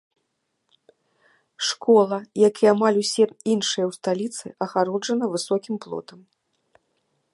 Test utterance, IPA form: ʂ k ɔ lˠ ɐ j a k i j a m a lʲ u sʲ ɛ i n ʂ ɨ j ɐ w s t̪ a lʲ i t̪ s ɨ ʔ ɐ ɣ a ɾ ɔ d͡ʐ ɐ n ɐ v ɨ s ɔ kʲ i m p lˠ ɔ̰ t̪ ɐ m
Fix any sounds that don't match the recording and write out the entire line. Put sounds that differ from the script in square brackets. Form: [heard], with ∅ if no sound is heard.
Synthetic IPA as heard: ʂ k ɔ lˠ ɐ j a k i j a m a lʲ u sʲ ɛ i n ʂ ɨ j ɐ w s t̪ a lʲ i t̪ s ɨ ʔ ɐ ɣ a ɾ ɔ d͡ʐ ɐ n ɐ v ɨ s ɔ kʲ i m p lˠ ɔ̰ t̪ ɐ m